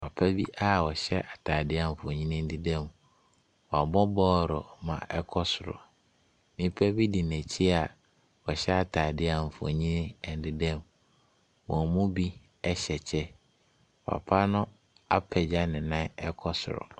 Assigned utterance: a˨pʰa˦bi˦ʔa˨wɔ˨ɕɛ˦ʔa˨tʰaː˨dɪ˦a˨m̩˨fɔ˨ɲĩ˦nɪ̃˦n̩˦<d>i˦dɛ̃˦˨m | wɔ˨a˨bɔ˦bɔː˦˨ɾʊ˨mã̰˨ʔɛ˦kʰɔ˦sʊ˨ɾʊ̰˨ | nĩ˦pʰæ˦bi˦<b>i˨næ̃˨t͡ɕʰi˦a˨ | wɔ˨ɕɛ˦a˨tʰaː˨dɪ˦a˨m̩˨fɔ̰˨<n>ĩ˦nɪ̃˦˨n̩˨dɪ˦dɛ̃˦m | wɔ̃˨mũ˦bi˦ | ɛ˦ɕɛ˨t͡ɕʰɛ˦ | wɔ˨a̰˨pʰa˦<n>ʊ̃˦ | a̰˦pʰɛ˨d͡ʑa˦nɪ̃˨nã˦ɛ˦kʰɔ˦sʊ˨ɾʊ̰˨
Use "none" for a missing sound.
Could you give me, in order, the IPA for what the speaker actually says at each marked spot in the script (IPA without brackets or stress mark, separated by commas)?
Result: d, d, ɲ, n